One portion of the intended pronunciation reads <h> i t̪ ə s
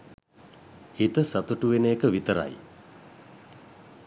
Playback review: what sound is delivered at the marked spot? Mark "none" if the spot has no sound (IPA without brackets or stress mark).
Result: h